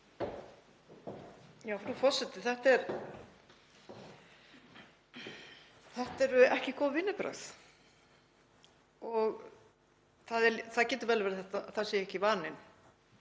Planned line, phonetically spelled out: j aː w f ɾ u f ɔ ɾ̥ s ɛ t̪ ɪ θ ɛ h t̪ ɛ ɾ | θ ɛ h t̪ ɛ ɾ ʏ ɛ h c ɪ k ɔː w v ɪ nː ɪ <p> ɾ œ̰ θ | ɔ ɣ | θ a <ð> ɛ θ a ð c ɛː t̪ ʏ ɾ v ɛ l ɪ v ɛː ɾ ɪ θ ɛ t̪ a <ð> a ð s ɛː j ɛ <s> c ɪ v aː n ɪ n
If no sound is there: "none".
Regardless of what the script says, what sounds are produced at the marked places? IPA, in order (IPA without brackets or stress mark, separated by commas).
p, ð, θ, h